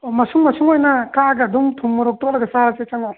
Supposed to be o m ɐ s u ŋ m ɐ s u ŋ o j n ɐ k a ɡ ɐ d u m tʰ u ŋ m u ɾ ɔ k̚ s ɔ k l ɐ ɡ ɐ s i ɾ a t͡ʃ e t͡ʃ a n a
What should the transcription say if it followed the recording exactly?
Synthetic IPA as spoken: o m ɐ s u ŋ m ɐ s u ŋ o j n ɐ k a ɡ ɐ d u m tʰ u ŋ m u ɾ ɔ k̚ t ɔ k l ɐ ɡ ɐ s a ɾ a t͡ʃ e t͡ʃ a ŋ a